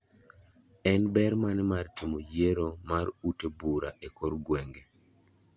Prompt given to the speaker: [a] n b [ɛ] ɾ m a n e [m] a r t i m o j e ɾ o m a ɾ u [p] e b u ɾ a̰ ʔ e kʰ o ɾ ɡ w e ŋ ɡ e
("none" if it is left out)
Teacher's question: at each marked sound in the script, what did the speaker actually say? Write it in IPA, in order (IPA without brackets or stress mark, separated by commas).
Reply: ɛ, ɛ, m, t